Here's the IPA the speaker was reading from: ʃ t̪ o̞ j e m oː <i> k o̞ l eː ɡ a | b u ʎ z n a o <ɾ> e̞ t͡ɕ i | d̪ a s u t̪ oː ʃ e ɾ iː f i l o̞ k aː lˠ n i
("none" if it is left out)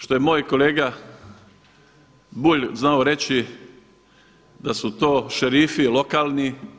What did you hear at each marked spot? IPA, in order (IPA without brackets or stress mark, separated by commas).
j, ɾ